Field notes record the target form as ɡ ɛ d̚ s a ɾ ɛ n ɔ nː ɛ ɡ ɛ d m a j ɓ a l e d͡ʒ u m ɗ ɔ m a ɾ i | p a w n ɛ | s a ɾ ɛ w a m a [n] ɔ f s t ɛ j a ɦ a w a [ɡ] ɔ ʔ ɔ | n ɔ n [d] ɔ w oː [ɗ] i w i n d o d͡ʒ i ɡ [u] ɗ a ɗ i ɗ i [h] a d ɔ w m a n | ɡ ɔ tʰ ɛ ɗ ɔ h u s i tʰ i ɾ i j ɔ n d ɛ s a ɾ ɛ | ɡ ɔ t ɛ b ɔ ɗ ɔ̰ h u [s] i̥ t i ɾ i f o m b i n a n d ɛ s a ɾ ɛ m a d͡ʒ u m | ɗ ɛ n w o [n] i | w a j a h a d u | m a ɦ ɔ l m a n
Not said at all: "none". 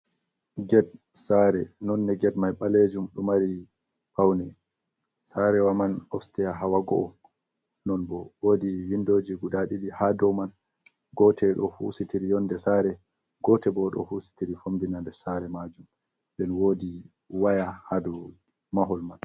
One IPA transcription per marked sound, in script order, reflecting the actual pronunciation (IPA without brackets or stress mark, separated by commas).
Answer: n, ɡ, b, d, u, h, s, d